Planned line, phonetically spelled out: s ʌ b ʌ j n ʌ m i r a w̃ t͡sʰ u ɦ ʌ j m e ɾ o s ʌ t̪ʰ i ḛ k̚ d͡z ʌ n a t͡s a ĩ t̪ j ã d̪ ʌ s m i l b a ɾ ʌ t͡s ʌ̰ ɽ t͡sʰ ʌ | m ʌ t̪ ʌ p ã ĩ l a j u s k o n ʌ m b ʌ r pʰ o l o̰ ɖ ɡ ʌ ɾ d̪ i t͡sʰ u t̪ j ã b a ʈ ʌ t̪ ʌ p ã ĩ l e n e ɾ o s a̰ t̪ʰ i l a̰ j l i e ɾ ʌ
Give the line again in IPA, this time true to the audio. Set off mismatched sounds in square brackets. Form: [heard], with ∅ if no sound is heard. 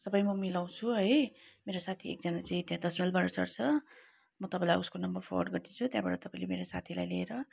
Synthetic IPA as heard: s ʌ b ʌ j [m] ʌ m i [l] a w̃ t͡sʰ u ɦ ʌ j m e ɾ o s [a] t̪ʰ i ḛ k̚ d͡z ʌ n a t͡s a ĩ t̪ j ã d̪ ʌ s m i l b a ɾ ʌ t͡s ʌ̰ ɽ t͡sʰ ʌ | m ʌ t̪ ʌ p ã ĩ l a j u s k o n ʌ m b ʌ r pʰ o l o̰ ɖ ɡ ʌ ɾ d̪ i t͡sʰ u t̪ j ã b a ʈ ʌ t̪ ʌ p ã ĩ l e [m] e ɾ o s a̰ t̪ʰ i l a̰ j l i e ɾ ʌ

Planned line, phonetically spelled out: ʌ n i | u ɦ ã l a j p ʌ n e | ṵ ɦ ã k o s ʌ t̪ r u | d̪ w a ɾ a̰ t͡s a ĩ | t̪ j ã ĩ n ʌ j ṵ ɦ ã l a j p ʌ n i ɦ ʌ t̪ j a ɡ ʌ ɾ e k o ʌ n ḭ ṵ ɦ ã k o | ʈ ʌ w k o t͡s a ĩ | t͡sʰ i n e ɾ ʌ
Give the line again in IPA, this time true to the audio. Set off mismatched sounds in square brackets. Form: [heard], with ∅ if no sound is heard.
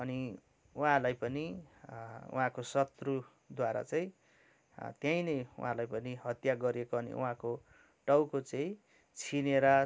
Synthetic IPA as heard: ʌ n i | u ɦ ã l a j p ʌ n [i] | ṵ ɦ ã k o s ʌ t̪ r u | d̪ w a ɾ a̰ t͡s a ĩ | t̪ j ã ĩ n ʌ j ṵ ɦ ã l a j p ʌ n i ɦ ʌ t̪ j a ɡ ʌ ɾ e k o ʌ n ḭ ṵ ɦ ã k o | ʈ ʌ w k o t͡s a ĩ | t͡sʰ i n e ɾ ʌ

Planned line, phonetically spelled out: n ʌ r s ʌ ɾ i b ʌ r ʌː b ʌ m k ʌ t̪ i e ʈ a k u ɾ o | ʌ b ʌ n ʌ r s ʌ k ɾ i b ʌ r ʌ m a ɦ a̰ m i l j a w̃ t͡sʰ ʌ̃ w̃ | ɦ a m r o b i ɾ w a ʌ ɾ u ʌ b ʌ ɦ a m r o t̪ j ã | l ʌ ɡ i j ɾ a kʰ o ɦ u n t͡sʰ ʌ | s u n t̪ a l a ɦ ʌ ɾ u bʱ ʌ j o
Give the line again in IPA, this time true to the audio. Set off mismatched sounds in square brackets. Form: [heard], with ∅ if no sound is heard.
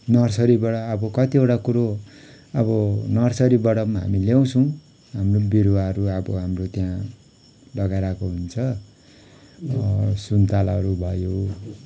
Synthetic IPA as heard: n ʌ r s ʌ ɾ i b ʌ [ɽ] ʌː b ʌ [∅] k ʌ t̪ i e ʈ a k u ɾ o | ʌ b ʌ n ʌ r s ʌ [∅] ɾ i b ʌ [ɽ] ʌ m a ɦ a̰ m i l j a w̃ t͡sʰ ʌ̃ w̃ | ɦ a m r o b i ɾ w a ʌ ɾ u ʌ b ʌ ɦ a m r o t̪ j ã | l ʌ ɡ [a] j ɾ a [k] o ɦ u n t͡sʰ ʌ | s u n t̪ a l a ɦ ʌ ɾ u bʱ ʌ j o

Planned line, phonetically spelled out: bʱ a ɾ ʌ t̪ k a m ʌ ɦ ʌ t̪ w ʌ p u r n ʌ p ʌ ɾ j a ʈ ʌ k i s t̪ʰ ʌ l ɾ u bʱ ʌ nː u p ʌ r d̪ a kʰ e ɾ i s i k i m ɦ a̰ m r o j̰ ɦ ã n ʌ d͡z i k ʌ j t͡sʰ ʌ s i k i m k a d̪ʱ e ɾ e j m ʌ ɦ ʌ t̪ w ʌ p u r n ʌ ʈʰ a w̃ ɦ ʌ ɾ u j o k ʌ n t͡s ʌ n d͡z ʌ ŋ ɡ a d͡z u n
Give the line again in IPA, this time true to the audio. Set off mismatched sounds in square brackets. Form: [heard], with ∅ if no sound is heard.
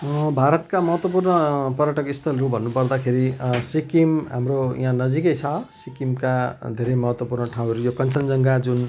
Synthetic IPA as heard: bʱ a ɾ ʌ t̪ k a m ʌ ɦ ʌ t̪ w ʌ p u r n ʌ p ʌ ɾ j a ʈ ʌ k i s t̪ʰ ʌ l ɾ u bʱ ʌ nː u p ʌ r d̪ a kʰ e ɾ i s i k i m ɦ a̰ m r o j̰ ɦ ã n ʌ d͡z i k ʌ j t͡sʰ ʌ s i k i m k a d̪ʱ e ɾ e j m ʌ ɦ ʌ t̪ w ʌ p u r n ʌ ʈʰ a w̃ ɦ ʌ ɾ u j o k ʌ n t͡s ʌ n d͡z ʌ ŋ ɡ a d͡z u n

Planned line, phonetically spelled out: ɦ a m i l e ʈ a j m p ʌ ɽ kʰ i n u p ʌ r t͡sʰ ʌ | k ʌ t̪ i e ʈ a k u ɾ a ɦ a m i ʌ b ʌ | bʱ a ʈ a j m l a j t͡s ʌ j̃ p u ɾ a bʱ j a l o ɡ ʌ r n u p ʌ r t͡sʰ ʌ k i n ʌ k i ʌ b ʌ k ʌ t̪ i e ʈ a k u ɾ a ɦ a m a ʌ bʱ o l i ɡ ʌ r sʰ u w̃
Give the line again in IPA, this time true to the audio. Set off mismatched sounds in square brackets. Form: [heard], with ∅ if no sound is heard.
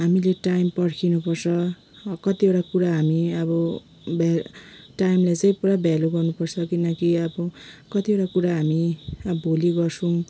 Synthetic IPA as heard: ɦ a m i l e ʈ a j m p ʌ ɽ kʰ i n u p ʌ r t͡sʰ ʌ | k ʌ t̪ i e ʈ a k u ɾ a ɦ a m i ʌ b ʌ | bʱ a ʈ a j m l a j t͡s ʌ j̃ p u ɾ a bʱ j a l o ɡ ʌ r n u p ʌ r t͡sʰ ʌ k i n ʌ k i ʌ b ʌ k ʌ t̪ i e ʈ a k u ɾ a ɦ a m [i] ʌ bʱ o l i ɡ ʌ r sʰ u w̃

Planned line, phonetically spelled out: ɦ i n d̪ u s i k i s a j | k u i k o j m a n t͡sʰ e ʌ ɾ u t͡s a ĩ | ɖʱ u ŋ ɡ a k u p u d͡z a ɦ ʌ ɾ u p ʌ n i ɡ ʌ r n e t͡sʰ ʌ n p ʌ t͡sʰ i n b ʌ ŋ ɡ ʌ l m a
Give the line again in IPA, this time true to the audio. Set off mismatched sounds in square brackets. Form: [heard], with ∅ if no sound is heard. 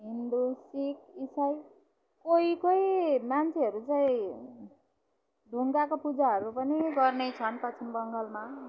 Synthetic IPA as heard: ɦ i n d̪ u s i k i s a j | k [o] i k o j m a n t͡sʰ e ʌ ɾ u t͡s a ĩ | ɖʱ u ŋ ɡ a k [o] p u d͡z a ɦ ʌ ɾ u p ʌ n i ɡ ʌ r n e t͡sʰ ʌ n p ʌ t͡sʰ i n b ʌ ŋ ɡ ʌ l m a

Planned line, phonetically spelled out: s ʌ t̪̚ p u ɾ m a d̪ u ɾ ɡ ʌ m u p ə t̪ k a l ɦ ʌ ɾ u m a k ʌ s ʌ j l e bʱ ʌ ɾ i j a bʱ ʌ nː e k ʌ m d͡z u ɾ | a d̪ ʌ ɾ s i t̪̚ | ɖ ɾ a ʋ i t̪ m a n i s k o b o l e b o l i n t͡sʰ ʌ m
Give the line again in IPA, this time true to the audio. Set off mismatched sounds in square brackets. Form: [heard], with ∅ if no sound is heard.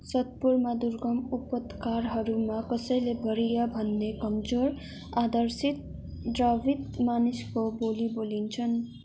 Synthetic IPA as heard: s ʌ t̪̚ p u ɾ m a d̪ u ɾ ɡ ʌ m u p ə t̪ k a [ɾ] ɦ ʌ ɾ u m a k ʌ s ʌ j l e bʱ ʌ ɾ i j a bʱ ʌ nː e k ʌ m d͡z [o] ɾ | a d̪ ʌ ɾ s i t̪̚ | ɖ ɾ a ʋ i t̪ m a n i s k o b o l [i] b o l i n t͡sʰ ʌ [n]

